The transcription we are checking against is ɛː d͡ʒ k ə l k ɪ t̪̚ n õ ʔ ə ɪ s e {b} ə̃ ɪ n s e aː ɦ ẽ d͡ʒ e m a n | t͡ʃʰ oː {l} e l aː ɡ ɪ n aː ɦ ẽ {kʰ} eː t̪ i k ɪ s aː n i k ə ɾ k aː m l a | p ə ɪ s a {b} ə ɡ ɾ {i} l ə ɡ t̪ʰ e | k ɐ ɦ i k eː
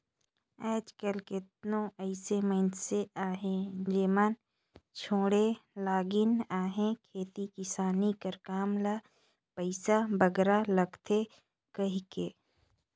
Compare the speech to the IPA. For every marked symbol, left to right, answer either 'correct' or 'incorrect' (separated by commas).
incorrect, incorrect, correct, correct, incorrect